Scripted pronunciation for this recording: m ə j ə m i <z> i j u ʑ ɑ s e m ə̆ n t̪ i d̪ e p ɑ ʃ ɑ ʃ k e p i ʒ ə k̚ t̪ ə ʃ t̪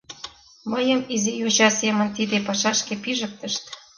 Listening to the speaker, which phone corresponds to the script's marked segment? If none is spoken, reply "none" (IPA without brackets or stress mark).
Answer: z